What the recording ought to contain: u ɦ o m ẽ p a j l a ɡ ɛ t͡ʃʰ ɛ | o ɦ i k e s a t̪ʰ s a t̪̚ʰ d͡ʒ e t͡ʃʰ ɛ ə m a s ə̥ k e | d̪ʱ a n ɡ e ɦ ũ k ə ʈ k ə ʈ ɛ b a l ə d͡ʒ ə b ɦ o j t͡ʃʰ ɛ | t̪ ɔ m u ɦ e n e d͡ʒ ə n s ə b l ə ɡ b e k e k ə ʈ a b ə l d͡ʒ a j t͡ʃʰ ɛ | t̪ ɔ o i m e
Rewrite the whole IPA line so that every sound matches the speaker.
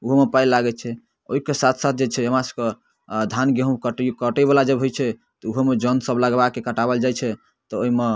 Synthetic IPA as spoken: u ɦ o m e p a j l a ɡ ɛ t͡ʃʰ ɛ | o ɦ i k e s a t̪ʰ s a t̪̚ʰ d͡ʒ e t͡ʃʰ ɛ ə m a s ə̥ k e | d̪ʱ a n ɡ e ɦ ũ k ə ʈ k ə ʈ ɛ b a l a d͡ʒ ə b ɦ o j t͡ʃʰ ɛ | t̪ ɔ u ɦ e m e d͡ʒ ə n s ə b l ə ɡ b a k e k ə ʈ a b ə l d͡ʒ a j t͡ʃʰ ɛ | t̪ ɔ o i m e